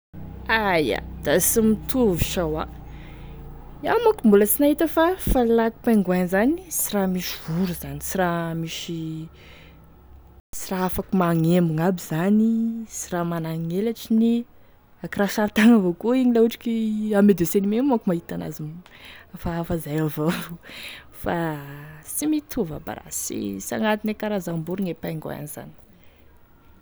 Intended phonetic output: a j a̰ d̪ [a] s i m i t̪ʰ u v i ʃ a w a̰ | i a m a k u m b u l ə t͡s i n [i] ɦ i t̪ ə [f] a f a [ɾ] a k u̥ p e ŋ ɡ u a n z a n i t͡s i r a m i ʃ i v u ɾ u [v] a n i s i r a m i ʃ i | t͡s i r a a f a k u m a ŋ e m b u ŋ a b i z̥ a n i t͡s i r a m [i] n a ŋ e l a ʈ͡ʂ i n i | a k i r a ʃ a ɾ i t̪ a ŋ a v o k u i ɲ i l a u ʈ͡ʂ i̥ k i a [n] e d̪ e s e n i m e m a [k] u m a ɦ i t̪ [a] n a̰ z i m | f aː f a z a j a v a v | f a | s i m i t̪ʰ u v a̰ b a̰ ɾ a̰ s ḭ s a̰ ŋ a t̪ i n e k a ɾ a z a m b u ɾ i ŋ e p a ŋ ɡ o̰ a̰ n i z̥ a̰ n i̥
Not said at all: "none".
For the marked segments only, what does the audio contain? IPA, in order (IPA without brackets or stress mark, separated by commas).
a, a, f, l, z, a, m, k, a